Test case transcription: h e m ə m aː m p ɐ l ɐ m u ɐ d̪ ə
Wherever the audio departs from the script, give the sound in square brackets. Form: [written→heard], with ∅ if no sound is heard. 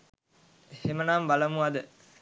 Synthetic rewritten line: h e m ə [m→n] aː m [p→b] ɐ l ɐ m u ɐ d̪ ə